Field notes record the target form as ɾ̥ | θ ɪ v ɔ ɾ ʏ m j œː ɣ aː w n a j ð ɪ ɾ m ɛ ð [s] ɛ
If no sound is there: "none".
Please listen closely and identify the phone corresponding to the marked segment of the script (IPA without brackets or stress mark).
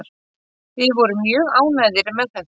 θ